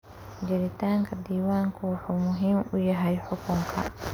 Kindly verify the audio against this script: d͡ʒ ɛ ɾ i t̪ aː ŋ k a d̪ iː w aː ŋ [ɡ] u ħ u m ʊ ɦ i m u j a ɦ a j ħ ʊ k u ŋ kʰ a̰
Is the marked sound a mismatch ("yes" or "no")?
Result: yes